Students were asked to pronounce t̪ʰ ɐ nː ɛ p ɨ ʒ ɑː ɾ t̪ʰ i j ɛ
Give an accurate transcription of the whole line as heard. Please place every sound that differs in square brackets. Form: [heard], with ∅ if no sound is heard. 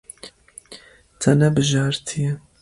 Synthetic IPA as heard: t̪ʰ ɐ [n] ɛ [b] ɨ ʒ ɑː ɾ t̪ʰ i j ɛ

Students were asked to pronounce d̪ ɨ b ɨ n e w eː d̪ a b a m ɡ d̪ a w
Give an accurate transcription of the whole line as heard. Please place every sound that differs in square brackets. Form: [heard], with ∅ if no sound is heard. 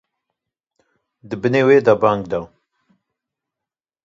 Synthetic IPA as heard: d̪ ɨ b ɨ n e w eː d̪ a b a [ŋ] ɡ d̪ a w

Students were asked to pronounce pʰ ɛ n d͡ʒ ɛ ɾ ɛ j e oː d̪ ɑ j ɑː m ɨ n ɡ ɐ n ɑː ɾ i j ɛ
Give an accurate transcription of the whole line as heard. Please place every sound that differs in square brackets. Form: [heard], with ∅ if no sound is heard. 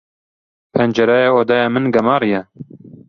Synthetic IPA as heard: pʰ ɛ n d͡ʒ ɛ ɾ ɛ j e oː d̪ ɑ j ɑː m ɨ n ɡ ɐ [m] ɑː ɾ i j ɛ

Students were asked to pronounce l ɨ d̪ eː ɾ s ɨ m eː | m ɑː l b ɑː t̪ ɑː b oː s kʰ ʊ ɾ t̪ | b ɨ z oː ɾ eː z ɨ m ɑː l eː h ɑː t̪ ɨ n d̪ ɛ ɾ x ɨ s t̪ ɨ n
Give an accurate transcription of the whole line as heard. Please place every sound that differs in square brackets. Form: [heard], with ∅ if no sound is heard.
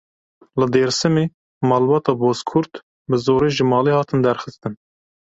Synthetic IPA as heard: l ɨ d̪ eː ɾ s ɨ m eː | m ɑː l b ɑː t̪ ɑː b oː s kʰ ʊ ɾ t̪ | b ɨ z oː ɾ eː [ʒ] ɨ m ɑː l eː h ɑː t̪ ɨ n d̪ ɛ ɾ x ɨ s t̪ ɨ n

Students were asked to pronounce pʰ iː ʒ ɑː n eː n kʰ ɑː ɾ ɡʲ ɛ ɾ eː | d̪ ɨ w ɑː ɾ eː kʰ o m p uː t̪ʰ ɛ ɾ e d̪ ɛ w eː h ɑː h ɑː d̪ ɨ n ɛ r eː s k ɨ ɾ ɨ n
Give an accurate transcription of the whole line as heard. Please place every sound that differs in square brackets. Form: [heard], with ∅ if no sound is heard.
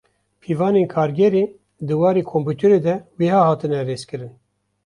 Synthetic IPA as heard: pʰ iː [v] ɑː n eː n kʰ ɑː ɾ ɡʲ ɛ ɾ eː | d̪ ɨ w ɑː ɾ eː kʰ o m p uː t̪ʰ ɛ ɾ e d̪ ɛ w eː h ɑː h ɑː [t̪] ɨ n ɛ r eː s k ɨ ɾ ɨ n

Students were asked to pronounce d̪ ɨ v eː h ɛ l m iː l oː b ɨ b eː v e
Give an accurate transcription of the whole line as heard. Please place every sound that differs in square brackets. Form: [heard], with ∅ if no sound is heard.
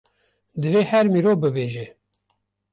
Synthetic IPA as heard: d̪ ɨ v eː h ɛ [ɾ] m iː [ɾ] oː b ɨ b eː [ʒ] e

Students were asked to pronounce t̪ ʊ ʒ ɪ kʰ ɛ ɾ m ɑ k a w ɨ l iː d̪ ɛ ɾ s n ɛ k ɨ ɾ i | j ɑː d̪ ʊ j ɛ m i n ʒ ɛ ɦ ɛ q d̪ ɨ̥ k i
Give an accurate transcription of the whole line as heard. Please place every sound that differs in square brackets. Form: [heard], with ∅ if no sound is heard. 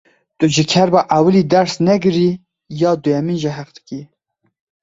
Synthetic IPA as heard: t̪ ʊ ʒ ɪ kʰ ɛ ɾ [b] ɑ [ʔ] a w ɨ l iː d̪ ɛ ɾ s n ɛ [ɡ] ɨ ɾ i | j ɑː d̪ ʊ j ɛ m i n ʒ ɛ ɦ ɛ q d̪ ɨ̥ k i

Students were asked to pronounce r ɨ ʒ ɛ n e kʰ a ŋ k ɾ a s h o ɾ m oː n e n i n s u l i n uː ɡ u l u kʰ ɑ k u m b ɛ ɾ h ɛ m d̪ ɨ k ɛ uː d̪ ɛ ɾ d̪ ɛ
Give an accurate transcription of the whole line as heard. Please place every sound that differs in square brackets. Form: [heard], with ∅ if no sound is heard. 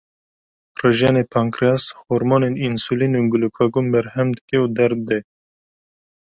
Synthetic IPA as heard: r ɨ ʒ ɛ n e [pʰ] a ŋ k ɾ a s h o ɾ m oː n e n i n s u l i n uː ɡ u l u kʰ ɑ [ɡ] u m b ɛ ɾ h ɛ m d̪ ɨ k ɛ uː d̪ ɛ ɾ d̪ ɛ

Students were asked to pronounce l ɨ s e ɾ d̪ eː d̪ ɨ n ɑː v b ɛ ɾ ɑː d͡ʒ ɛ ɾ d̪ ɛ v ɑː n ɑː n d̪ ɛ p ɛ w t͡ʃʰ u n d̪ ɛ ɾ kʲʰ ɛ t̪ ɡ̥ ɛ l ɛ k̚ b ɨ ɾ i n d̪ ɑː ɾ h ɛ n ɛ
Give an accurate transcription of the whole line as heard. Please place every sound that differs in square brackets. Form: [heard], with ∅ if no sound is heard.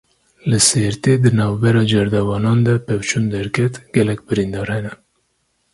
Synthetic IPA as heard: l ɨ s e ɾ [t̪] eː d̪ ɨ n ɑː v b ɛ ɾ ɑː d͡ʒ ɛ ɾ d̪ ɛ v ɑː n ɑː n d̪ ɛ p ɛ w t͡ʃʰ u n d̪ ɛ ɾ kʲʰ ɛ t̪ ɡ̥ ɛ l ɛ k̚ b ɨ ɾ i n d̪ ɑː ɾ h ɛ n ɛ

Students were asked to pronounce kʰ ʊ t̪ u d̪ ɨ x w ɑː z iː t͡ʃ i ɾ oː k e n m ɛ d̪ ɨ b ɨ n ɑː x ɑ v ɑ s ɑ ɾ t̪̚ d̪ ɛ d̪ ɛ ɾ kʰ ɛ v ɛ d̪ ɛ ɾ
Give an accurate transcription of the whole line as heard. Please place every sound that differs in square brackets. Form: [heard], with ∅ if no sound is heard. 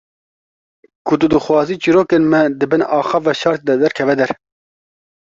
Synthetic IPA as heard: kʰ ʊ t̪ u d̪ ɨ x w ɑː z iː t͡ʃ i ɾ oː k e n m ɛ d̪ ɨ b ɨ n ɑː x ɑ v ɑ [ʃ] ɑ ɾ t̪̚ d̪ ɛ d̪ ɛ ɾ kʰ ɛ v ɛ d̪ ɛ ɾ

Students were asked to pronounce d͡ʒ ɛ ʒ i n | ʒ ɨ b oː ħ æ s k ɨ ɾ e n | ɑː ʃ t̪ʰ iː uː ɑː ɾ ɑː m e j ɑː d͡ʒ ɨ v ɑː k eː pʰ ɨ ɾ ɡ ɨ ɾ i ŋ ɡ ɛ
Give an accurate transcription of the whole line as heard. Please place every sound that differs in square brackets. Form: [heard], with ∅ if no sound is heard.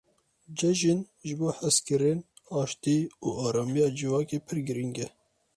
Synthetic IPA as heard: d͡ʒ ɛ ʒ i n | ʒ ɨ b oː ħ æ s k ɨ ɾ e n | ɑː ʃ [t̪] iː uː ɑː ɾ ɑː m [i] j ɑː d͡ʒ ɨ v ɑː k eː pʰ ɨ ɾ ɡ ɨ ɾ i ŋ ɡ ɛ

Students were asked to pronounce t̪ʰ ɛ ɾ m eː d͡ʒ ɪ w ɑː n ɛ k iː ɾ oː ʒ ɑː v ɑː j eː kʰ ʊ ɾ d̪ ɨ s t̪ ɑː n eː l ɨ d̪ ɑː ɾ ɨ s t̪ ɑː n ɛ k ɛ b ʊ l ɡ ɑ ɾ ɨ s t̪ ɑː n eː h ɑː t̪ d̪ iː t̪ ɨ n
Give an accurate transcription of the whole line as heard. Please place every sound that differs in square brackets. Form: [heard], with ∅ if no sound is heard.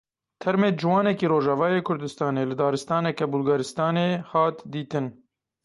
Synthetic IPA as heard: t̪ʰ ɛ ɾ m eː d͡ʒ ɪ w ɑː n ɛ k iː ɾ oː ʒ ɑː v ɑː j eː kʰ ʊ ɾ d̪ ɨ s t̪ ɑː n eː l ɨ d̪ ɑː ɾ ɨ s t̪ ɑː n ɛ k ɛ b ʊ l ɡ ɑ ɾ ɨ s t̪ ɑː n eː h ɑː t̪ d̪ iː t̪ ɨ n

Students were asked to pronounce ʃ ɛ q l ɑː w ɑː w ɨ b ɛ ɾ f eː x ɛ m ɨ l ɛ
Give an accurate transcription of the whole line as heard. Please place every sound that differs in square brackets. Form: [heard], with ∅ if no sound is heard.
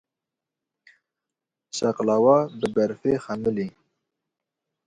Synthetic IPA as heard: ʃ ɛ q l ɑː w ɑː [b] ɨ b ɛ ɾ f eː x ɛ m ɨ l [i]

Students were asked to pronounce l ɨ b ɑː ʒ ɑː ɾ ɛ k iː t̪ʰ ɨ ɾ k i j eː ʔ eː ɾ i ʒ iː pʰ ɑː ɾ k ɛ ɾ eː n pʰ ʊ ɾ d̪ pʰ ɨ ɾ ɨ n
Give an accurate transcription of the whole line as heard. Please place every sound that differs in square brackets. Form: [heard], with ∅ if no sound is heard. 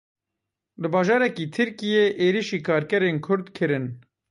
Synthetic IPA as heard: l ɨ b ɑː ʒ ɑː ɾ ɛ k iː t̪ʰ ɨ ɾ k i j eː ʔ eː ɾ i [ʃ] iː [kʰ] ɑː ɾ k ɛ ɾ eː n [kʰ] ʊ ɾ d̪ [kʰ] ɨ ɾ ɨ n

